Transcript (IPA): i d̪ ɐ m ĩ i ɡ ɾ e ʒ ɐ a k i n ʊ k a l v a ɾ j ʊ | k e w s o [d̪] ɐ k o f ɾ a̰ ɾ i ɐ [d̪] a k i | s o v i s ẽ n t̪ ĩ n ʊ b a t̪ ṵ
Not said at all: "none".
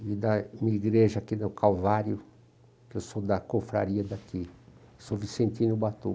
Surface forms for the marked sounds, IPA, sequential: d̪, d̪

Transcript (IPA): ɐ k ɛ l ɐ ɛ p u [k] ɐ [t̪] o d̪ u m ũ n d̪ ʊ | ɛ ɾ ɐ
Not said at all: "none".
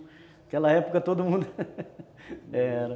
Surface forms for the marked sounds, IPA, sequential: k, t̪

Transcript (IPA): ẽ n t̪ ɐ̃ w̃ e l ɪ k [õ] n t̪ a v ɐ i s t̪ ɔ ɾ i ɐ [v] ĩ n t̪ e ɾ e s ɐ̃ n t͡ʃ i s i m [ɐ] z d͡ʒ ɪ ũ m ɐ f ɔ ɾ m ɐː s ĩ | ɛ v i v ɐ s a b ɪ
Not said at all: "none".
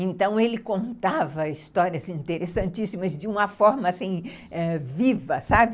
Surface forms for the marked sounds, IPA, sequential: õ, z, ɐ

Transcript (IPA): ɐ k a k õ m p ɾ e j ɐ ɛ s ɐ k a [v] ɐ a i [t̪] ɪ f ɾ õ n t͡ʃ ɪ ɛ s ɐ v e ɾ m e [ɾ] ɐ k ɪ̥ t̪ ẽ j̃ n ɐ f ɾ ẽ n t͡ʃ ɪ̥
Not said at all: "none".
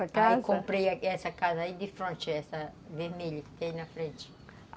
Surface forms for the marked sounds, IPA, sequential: z, d̪, ʎ

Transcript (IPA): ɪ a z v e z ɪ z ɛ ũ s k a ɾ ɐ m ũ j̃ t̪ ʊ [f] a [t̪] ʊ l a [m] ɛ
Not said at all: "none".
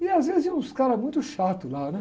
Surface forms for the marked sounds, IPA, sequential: ʃ, t̪, n

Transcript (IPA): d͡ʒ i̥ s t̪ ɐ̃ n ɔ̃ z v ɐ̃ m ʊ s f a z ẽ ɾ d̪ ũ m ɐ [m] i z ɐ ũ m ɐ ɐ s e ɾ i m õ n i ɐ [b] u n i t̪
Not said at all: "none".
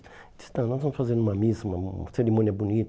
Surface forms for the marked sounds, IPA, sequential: m, b

